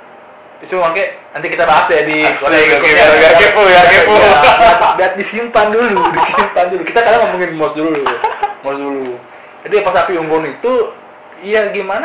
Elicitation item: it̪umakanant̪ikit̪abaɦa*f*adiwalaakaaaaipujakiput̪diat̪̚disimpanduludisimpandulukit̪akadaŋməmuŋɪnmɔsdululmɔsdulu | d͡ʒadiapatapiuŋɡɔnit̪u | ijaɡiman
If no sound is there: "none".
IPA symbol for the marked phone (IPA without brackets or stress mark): s